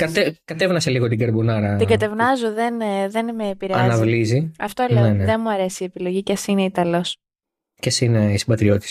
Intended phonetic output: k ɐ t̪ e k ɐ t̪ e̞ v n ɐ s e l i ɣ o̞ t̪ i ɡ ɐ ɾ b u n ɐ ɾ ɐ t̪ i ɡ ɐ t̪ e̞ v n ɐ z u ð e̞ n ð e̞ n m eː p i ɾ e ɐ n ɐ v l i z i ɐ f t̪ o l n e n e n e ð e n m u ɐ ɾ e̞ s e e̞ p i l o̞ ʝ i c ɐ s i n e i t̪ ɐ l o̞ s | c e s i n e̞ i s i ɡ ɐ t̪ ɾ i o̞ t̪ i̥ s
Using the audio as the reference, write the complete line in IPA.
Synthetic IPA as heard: k ɐ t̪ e k ɐ t̪ e̞ v n ɐ s e l i ɣ o̞ t̪ i ɡ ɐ ɾ b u n ɐ ɾ ɐ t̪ i ɡ ɐ t̪ e̞ v n ɐ z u ð e̞ n ð e̞ n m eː p i ɾ e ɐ n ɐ v l i z i ɐ f t̪ o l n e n e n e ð e n m u ɐ ɾ e̞ s i e̞ p i l o̞ ʝ i c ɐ s i n e i t̪ ɐ l o̞ s | c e s i n e̞ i s i b ɐ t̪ ɾ i o̞ t̪ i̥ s